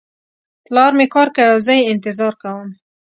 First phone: p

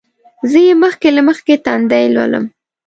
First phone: z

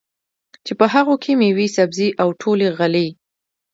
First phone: t͡ʃ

